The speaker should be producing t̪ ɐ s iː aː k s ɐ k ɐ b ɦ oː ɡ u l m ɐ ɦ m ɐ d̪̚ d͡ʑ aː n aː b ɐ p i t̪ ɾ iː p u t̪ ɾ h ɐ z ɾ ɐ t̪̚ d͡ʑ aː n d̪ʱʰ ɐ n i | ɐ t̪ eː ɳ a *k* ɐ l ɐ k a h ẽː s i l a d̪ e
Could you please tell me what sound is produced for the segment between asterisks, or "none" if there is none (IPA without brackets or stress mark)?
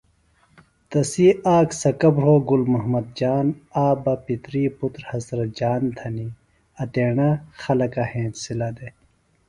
x